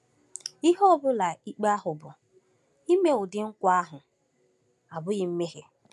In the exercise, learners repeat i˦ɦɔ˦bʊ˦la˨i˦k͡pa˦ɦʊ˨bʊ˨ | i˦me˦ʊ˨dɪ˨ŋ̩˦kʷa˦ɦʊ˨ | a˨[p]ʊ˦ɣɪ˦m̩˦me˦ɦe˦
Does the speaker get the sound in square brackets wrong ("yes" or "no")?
yes